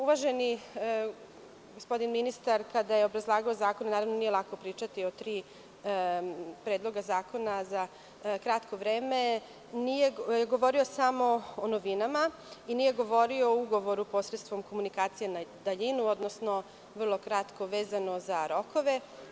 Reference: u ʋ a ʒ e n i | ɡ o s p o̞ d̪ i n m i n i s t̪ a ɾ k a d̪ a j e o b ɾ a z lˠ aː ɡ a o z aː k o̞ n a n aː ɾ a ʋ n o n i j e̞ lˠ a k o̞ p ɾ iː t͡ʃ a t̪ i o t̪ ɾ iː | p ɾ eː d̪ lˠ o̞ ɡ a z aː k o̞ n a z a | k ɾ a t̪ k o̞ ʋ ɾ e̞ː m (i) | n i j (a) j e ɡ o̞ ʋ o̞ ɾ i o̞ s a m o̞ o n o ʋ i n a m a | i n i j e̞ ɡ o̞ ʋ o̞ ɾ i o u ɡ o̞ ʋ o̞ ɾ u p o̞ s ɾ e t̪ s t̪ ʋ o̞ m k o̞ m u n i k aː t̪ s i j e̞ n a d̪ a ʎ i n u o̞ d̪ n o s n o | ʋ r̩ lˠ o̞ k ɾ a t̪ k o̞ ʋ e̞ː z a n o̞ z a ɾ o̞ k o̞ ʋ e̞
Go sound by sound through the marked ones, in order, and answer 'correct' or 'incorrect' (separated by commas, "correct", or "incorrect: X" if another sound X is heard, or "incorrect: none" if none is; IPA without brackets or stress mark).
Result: incorrect: e, incorrect: e